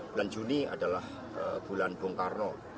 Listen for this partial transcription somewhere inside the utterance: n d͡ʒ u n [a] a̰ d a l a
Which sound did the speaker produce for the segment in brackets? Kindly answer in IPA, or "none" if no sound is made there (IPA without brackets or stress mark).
i